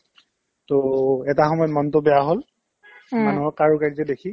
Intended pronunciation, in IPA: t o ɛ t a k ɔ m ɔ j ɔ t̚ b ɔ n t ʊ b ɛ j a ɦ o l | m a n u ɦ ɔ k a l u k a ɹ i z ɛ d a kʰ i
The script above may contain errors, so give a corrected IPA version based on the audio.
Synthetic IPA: t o ɛ t a x ɔ m ɔ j ɔ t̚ m ɔ n t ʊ b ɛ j a ɦ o l | m a n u ɦ ɔ k a ɹ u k a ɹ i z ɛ d e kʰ i